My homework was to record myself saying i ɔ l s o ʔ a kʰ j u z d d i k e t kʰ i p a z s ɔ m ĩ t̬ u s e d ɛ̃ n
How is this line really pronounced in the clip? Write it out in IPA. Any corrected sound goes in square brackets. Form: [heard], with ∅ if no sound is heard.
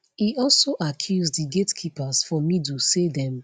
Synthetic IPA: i ɔ l s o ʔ a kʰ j u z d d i [ɡ] e t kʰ i p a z [f] ɔ m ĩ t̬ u s e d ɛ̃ [m]